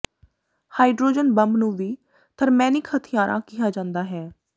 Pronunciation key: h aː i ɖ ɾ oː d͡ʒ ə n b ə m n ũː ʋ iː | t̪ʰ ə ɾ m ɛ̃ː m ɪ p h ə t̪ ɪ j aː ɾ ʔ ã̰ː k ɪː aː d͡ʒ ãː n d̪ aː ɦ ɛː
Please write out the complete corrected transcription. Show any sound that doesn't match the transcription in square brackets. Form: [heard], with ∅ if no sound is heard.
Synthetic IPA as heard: h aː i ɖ ɾ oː d͡ʒ ə n b ə m n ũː ʋ iː | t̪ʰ ə ɾ m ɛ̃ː [n] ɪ [k] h ə [t̪ʰ] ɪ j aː ɾ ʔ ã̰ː k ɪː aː d͡ʒ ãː n d̪ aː ɦ ɛː